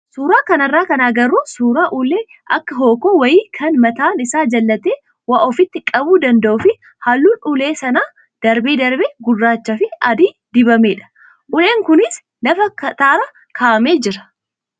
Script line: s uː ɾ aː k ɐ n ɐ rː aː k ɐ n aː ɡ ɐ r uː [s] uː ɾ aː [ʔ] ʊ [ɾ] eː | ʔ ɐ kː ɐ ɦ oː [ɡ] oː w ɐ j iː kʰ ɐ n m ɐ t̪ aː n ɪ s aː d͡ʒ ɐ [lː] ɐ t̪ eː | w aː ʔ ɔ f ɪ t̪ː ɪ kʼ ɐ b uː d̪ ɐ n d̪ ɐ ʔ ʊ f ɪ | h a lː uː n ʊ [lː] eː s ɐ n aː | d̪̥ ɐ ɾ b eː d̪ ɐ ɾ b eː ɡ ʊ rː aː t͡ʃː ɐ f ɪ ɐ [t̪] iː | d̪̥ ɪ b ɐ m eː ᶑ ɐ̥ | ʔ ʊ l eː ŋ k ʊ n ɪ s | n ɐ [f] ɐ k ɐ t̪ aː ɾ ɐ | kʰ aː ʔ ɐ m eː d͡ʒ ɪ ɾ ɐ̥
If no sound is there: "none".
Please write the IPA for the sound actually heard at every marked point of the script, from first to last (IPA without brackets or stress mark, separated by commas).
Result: s, ʔ, l, k, lː, l, d̪, f